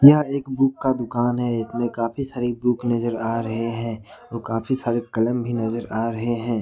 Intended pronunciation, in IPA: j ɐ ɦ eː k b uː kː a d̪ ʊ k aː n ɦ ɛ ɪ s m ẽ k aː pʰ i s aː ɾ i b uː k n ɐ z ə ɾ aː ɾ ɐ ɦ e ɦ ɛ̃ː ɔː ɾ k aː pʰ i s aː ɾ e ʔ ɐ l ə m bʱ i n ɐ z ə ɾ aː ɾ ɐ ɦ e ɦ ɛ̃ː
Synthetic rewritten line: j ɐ ɦ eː k b uː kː a d̪ ʊ k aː n ɦ ɛ ɪ s m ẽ k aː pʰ i s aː ɾ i b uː k n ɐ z ə ɾ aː ɾ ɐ ɦ e ɦ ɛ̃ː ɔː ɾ k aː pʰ i s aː ɾ e k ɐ l ə m bʱ i n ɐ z ə ɾ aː ɾ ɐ ɦ e ɦ ɛ̃ː